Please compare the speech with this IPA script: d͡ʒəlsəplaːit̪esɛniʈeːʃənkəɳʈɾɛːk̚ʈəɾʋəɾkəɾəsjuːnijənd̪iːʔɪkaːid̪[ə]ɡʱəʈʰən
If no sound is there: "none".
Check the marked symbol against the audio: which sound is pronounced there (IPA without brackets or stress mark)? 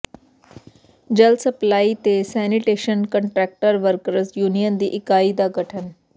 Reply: a